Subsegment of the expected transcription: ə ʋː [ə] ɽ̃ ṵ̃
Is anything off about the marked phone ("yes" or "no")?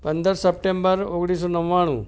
yes